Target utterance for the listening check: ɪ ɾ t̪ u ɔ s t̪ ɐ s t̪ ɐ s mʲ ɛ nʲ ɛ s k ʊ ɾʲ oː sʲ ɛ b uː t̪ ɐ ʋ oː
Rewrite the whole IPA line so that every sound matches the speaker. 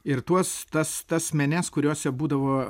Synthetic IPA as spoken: ɪ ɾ t̪ u ɔ s t̪ ɐ s t̪ ɐ s mʲ ɛ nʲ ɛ s k ʊ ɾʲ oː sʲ ɛ b uː d̪ ɐ ʋ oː